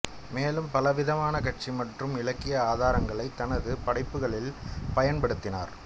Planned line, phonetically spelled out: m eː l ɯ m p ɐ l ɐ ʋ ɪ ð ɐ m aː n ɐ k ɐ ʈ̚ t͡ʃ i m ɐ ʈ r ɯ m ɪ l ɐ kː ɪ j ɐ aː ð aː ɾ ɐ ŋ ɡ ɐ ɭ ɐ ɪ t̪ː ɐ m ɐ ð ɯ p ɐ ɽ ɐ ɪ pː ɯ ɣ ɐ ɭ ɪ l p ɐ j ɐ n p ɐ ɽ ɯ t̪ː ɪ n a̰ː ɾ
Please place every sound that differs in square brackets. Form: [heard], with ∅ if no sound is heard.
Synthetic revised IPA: m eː l ɯ m p ɐ l ɐ ʋ ɪ ð ɐ m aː n ɐ k ɐ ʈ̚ t͡ʃ i m ɐ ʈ r ɯ m ɪ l ɐ kː ɪ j ɐ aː ð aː ɾ ɐ ŋ ɡ ɐ ɭ ɐ ɪ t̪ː ɐ [n] ɐ ð ɯ p ɐ ɽ ɐ ɪ pː ɯ ɣ ɐ ɭ ɪ l p ɐ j ɐ n p ɐ ɽ ɯ t̪ː ɪ n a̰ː ɾ